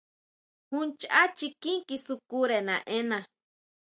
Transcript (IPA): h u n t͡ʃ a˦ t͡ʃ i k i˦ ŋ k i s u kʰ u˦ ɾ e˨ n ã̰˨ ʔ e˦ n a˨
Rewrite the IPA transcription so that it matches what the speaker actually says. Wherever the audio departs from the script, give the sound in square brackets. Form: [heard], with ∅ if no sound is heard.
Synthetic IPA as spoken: h u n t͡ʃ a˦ t͡ʃ i k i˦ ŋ k i s u [k] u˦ ɾ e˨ n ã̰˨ ʔ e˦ n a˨